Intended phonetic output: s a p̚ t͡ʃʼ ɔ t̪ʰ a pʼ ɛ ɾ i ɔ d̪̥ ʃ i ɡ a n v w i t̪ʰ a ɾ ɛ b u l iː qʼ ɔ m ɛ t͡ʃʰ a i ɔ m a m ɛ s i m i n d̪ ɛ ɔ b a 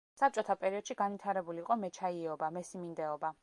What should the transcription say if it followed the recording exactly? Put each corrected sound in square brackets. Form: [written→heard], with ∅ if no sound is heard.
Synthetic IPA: s a p̚ t͡ʃʼ ɔ t̪ʰ a pʼ ɛ ɾ i ɔ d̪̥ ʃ i ɡ a n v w i t̪ʰ a ɾ ɛ b u l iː qʼ ɔ m ɛ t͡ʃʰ a i ɔ [m→b] a m ɛ s i m i n d̪ ɛ ɔ b a